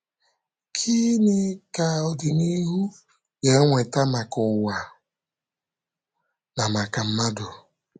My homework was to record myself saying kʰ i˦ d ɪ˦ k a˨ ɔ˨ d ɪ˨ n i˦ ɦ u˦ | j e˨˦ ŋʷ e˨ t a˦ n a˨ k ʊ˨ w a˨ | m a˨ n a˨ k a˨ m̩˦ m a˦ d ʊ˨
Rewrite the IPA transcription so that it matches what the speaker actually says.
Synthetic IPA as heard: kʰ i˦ n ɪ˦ k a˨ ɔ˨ d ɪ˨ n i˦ ɦ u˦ | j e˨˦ ŋʷ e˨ t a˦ m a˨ k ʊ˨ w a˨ | n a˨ m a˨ k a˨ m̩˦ m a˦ d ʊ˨